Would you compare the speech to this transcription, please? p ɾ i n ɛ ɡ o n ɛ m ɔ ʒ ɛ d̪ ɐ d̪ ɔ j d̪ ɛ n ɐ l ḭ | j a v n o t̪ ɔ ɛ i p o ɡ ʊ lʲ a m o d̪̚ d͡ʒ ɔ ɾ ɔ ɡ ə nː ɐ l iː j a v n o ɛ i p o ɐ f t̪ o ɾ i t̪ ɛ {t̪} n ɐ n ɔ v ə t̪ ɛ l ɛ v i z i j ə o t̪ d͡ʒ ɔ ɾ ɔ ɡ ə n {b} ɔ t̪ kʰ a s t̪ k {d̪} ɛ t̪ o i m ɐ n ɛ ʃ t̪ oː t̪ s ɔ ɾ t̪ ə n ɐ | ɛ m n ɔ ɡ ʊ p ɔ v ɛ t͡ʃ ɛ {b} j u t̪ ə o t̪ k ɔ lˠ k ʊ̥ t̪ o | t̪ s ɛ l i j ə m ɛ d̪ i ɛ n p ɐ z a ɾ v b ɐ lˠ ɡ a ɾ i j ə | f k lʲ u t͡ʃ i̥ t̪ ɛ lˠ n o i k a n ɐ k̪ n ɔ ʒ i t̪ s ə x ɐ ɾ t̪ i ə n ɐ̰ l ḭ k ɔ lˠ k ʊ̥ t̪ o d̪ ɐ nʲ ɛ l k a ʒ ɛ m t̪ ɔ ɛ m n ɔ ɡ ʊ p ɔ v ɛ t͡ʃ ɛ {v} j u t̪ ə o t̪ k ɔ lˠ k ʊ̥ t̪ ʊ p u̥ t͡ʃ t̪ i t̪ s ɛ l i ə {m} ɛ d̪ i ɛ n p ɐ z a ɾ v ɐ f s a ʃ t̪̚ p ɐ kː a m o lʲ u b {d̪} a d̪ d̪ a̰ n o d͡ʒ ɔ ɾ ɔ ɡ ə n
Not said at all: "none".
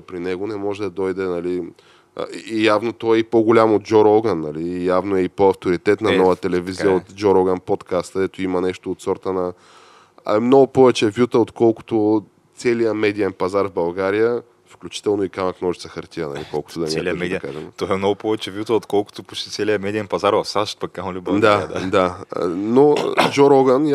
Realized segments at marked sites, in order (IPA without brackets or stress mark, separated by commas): t̪, p, d̪, v, v, m, d̪